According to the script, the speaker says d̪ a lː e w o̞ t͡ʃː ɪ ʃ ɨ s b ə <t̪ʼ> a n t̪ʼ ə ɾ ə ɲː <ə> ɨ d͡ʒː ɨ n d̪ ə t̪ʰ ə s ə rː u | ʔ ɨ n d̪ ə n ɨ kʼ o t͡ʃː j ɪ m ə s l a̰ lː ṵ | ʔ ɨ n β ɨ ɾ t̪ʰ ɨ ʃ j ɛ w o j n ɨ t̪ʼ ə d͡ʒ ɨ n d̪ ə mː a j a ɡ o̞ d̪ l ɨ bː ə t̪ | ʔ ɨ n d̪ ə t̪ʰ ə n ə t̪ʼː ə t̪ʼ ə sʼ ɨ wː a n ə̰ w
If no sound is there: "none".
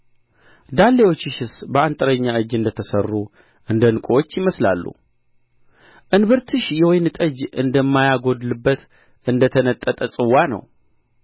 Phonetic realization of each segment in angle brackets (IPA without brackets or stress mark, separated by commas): none, a